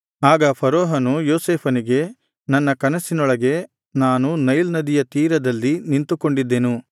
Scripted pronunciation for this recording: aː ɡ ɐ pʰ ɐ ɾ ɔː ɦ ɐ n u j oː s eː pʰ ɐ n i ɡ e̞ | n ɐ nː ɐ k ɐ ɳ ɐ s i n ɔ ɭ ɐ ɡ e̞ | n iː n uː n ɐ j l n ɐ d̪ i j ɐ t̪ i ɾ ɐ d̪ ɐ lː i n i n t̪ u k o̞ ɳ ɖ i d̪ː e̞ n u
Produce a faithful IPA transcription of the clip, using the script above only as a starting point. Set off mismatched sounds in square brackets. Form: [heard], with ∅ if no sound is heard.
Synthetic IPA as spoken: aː ɡ ɐ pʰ ɐ ɾ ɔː ɦ ɐ n u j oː s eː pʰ ɐ n i ɡ e̞ | n ɐ nː ɐ k ɐ [n] ɐ s i n ɔ ɭ ɐ ɡ e̞ | n [aː] n [u] n ɐ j l n ɐ d̪ i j ɐ t̪ [iː] ɾ ɐ d̪ ɐ lː i n i n t̪ u k o̞ ɳ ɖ i d̪ː e̞ n u